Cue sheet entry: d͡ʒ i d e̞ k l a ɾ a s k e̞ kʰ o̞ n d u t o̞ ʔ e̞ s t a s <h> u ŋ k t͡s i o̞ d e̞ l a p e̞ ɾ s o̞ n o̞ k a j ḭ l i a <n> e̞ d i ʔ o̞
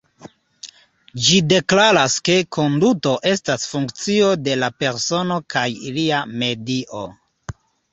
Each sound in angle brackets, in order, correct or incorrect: incorrect, incorrect

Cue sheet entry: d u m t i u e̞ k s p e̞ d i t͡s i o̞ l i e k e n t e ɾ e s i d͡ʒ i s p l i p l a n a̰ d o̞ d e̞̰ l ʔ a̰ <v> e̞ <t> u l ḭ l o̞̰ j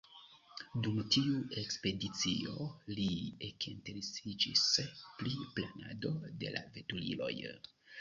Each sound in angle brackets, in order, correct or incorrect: correct, correct

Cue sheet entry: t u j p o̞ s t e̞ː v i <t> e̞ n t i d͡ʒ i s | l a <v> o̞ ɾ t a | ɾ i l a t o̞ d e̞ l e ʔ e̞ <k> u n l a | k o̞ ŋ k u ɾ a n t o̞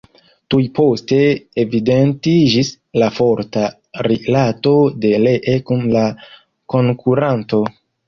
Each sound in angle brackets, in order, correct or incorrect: incorrect, incorrect, correct

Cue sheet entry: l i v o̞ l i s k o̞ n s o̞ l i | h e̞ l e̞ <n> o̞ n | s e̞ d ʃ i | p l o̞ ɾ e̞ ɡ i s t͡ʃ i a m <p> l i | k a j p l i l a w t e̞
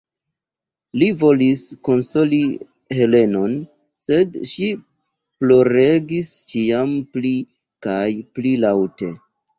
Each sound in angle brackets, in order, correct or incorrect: correct, correct

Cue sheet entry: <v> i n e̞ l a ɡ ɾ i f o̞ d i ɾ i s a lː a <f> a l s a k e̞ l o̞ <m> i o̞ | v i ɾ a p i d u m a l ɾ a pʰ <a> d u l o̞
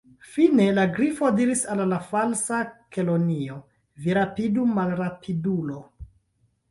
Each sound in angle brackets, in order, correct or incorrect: incorrect, correct, incorrect, incorrect

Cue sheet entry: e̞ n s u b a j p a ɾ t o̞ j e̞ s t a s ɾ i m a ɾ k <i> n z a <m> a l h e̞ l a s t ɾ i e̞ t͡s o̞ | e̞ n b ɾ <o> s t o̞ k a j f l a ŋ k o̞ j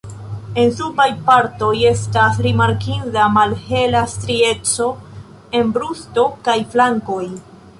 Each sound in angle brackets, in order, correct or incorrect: correct, correct, incorrect

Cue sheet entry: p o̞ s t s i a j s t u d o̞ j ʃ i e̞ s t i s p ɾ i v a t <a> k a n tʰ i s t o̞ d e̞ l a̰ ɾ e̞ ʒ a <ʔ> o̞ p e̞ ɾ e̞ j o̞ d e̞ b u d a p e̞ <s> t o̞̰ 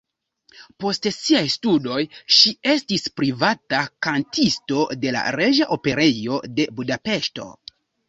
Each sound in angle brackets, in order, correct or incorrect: correct, correct, incorrect

